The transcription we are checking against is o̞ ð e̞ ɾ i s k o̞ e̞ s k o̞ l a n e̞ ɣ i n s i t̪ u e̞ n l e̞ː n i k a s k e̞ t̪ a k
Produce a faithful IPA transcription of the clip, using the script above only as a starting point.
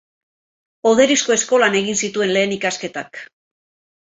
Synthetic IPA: o̞ ð e̞ ɾ i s k o̞ e̞ s k o̞ l a n e̞ ɣ i n s i t̪ u e̞ n l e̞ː n i k a s k e̞ t̪ a k